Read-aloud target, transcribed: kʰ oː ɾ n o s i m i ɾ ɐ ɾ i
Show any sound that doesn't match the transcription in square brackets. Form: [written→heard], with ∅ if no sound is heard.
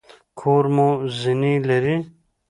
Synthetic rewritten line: kʰ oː ɾ [n→m] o [s→z] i [m→n] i [ɾ→l] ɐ ɾ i